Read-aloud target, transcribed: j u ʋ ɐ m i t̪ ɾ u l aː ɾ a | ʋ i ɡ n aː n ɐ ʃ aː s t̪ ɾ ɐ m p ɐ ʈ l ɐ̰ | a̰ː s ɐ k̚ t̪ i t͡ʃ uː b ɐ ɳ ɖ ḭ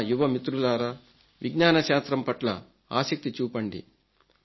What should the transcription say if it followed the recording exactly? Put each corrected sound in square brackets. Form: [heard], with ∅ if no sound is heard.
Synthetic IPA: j u ʋ ɐ m i t̪ ɾ u l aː ɾ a | ʋ i ɡ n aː n ɐ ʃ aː s t̪ ɾ ɐ m p ɐ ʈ l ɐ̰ | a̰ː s ɐ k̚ t̪ i t͡ʃ uː [p] ɐ ɳ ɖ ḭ